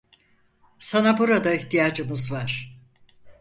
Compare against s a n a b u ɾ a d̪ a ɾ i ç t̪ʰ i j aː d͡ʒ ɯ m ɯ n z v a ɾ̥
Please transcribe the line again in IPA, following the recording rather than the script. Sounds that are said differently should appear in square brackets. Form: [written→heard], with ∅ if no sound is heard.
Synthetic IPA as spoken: s a n a b u ɾ a d̪ a [ɾ→∅] i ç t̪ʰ i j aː d͡ʒ ɯ m ɯ [n→∅] z v a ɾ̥